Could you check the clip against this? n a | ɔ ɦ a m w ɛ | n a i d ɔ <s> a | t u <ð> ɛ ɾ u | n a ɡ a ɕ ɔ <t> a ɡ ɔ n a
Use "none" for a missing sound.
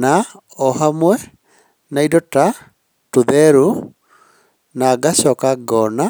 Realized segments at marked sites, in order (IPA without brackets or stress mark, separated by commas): t, ð, k